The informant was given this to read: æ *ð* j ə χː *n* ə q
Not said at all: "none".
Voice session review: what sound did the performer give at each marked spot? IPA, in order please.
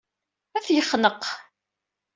θ, n

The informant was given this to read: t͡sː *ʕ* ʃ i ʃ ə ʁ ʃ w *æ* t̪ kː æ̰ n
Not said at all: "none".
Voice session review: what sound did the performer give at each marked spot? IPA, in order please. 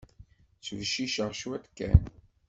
v, æ

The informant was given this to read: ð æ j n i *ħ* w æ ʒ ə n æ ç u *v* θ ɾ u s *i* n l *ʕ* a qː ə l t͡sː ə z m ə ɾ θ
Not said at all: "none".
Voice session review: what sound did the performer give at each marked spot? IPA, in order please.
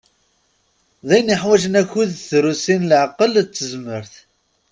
ħ, ð, i, ʕ

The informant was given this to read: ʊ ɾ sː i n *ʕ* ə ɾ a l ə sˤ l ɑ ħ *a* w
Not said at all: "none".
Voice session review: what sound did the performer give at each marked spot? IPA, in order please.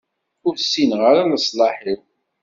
ʁ, i

